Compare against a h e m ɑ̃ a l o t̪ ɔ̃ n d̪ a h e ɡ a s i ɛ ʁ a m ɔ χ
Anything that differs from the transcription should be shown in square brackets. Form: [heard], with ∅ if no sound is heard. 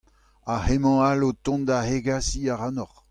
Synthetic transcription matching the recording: a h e m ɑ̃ a l o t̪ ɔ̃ n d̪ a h e ɡ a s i [a] ʁ a [n] ɔ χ